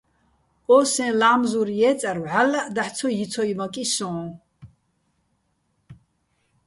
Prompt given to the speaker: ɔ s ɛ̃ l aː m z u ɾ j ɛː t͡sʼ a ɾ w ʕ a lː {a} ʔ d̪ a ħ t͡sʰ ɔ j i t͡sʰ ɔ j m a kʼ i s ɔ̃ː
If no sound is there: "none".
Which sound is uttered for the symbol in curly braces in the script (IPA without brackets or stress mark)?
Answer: a